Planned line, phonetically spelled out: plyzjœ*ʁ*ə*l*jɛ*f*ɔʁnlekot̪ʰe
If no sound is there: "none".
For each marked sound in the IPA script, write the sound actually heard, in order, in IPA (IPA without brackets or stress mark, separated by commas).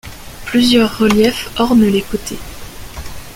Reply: ʁː, l, f